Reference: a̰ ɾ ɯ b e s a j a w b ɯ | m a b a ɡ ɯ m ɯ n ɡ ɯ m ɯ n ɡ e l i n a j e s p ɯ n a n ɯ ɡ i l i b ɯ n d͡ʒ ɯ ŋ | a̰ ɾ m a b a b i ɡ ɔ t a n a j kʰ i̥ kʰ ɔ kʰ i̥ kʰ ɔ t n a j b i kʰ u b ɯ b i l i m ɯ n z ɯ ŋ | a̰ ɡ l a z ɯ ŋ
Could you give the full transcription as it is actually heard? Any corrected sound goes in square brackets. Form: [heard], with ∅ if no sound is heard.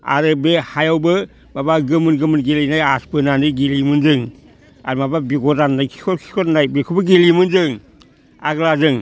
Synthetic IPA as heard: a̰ ɾ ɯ b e [h] a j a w b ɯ | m a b a ɡ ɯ m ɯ n ɡ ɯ m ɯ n ɡ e l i n a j [a] s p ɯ n a n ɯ ɡ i l i [m] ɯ n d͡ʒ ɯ ŋ | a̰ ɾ m a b a b i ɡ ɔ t a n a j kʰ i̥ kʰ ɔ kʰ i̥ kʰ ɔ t n a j b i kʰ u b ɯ [ɡ] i l i m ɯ n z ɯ ŋ | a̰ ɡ l a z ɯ ŋ

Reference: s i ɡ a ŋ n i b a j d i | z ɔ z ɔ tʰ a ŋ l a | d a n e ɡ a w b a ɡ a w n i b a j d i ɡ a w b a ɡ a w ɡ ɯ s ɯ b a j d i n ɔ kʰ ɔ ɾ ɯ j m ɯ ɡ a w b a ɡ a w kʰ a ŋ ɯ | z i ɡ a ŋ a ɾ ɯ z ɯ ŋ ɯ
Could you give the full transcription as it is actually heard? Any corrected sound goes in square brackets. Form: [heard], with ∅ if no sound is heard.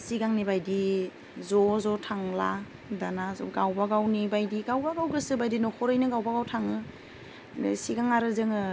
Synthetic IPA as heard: s i ɡ a ŋ n i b a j d i | z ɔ z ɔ tʰ a ŋ l a | d a n [a] ɡ a w b a ɡ a w n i b a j d i ɡ a w b a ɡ a w ɡ ɯ s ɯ b a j d i n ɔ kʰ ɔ ɾ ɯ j [n] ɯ ɡ a w b a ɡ a w [tʰ] a ŋ ɯ | [s] i ɡ a ŋ a ɾ ɯ z ɯ ŋ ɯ

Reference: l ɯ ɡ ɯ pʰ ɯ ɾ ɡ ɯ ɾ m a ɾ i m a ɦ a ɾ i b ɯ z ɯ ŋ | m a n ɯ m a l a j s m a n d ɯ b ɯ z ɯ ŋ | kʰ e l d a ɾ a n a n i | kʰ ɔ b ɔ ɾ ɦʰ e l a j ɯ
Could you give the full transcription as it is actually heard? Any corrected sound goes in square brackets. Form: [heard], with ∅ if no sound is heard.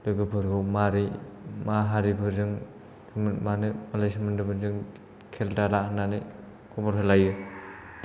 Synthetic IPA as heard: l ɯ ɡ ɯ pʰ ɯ ɾ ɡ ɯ [∅] m a ɾ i m a ɦ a ɾ i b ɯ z ɯ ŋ | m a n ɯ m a l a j s m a n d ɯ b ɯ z ɯ ŋ | kʰ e l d a [l] a n a n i | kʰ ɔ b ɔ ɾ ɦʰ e l a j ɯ

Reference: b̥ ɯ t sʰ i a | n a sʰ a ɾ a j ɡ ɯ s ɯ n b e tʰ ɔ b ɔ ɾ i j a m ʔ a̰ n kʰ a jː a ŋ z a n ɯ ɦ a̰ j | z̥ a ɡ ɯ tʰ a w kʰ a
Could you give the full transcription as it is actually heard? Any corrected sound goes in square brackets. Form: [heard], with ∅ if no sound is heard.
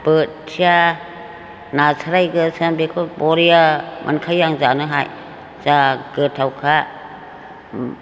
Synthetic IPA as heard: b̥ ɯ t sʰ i a | n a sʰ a ɾ a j ɡ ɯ s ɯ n b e [kʰ] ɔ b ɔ ɾ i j a m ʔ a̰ n kʰ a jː a ŋ z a n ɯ ɦ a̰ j | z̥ a ɡ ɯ tʰ a w kʰ a

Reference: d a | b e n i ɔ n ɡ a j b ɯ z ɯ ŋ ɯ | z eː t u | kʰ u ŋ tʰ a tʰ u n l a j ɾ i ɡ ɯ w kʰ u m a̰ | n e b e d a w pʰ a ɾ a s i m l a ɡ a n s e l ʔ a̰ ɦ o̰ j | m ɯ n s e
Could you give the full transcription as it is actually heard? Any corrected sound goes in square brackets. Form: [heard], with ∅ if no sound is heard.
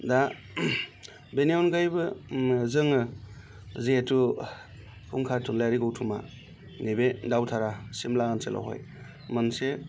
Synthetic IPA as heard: d a | b e n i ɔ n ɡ a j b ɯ z ɯ ŋ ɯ | z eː t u | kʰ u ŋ [kʰ] a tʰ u n l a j ɾ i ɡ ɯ w [tʰ] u m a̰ | n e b e d a w [tʰ] a ɾ a s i m l a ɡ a n s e l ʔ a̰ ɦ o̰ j | m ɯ n s e

